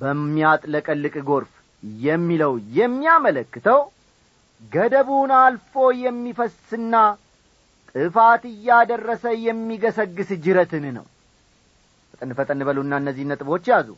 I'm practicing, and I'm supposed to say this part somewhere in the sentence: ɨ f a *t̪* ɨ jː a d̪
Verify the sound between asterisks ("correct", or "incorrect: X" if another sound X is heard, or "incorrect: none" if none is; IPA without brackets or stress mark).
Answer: correct